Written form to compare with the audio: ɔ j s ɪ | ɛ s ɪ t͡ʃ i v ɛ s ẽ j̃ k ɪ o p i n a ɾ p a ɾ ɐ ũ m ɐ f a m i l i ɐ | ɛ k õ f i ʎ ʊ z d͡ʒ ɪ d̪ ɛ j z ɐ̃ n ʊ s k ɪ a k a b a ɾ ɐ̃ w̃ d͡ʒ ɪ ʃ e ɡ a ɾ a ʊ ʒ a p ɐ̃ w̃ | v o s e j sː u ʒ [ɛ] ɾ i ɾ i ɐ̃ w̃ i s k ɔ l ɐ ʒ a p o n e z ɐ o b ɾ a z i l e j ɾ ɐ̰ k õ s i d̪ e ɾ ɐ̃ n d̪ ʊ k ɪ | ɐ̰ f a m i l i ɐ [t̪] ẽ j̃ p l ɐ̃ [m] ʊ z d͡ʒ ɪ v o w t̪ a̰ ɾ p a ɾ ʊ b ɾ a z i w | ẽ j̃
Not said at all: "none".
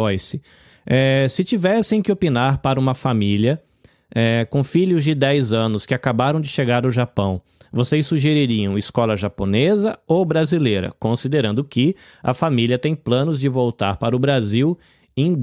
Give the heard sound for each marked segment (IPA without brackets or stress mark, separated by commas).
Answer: e, t̪, n